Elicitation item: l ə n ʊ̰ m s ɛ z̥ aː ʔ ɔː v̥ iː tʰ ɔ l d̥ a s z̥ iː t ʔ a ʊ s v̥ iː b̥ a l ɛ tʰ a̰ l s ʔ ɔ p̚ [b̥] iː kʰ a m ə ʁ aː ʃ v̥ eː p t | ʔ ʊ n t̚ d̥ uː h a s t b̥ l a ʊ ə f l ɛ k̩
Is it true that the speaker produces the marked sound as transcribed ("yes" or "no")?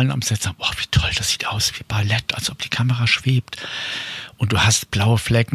no